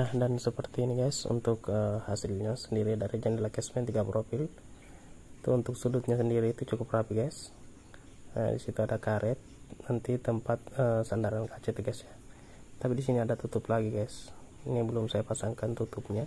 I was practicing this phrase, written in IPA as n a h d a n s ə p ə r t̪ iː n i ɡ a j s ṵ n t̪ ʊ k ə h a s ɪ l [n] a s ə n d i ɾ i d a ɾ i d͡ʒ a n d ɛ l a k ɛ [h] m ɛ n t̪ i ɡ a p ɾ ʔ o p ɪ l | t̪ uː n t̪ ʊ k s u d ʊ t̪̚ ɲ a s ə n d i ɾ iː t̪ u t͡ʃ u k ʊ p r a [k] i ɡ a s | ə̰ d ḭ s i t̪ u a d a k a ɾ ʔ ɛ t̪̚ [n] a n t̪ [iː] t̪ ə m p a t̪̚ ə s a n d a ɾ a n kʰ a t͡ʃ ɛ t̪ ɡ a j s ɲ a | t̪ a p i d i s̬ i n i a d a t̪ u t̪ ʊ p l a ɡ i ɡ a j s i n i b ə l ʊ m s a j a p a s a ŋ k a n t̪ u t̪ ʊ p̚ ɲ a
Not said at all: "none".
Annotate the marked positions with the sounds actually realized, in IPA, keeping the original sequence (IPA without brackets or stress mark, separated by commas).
ɲ, s, p, n, i